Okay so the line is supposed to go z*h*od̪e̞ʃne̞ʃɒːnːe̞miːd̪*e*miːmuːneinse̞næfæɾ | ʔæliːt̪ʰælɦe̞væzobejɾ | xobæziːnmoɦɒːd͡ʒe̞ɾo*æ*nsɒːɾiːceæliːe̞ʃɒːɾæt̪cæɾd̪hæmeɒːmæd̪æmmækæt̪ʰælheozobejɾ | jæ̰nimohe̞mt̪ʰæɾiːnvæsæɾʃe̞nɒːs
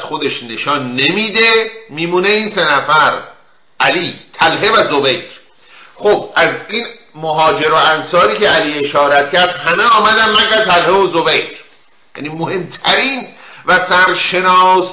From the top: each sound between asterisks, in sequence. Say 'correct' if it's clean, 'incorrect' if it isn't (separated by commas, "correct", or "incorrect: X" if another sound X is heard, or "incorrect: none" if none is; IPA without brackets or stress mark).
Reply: incorrect: x, correct, correct